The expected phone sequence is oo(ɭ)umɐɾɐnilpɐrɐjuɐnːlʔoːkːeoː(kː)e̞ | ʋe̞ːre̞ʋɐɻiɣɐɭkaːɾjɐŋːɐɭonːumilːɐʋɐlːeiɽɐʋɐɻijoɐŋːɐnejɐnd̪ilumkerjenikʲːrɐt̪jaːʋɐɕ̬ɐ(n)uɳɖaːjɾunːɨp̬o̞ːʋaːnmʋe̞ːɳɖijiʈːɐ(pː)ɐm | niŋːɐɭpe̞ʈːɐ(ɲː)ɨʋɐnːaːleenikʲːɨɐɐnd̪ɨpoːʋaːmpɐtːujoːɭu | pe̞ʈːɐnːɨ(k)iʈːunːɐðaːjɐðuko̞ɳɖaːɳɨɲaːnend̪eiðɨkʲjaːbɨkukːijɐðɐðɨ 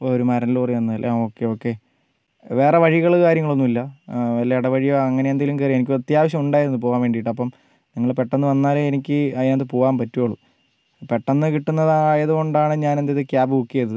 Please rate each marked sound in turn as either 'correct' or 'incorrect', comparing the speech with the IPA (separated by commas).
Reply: incorrect, correct, incorrect, correct, incorrect, correct